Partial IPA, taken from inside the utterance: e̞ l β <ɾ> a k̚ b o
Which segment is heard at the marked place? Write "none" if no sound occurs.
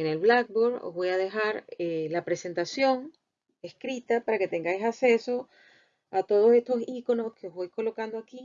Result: l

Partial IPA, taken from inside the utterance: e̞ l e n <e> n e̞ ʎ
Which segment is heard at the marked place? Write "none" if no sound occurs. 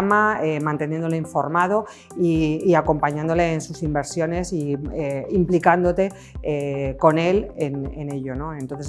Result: e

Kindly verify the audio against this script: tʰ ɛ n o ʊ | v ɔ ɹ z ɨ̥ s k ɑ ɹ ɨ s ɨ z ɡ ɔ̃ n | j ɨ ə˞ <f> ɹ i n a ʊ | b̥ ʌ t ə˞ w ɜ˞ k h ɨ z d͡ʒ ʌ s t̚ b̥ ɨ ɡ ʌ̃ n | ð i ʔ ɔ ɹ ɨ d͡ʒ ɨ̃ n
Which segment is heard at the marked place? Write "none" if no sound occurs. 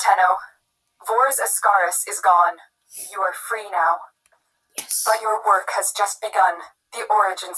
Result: f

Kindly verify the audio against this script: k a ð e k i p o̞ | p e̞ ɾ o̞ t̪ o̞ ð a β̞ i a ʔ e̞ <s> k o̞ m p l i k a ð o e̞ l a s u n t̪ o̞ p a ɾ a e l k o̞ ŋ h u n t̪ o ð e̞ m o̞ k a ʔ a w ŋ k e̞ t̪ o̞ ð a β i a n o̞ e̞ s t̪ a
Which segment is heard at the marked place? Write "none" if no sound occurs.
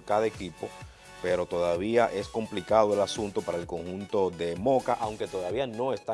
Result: s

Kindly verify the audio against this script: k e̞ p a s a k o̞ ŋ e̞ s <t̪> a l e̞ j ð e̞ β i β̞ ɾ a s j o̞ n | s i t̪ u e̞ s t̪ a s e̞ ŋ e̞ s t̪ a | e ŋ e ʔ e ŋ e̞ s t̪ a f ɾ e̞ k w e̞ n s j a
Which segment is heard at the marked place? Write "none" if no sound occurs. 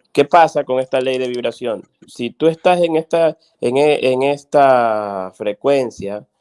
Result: t̪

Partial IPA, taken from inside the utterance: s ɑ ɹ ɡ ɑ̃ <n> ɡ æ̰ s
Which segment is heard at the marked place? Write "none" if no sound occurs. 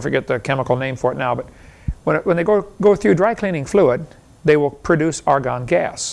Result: n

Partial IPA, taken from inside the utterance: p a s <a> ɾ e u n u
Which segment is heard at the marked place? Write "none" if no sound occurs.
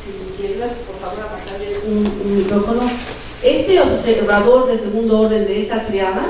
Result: a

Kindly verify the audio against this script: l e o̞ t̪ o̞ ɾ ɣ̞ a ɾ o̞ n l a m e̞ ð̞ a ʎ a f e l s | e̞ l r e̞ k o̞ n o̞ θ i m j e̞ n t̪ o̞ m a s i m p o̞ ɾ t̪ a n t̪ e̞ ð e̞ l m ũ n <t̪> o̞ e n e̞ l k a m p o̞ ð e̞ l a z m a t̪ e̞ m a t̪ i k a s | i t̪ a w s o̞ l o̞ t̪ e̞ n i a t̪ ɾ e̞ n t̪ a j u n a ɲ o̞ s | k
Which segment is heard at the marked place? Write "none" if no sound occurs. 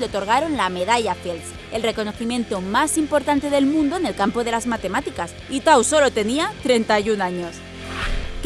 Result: d̪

